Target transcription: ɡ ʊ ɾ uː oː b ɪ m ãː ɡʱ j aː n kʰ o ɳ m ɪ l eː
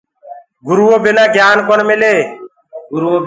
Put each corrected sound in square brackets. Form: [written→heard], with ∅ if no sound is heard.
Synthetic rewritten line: ɡ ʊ ɾ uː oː b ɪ [m→n] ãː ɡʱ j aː n [kʰ→k] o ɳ m ɪ l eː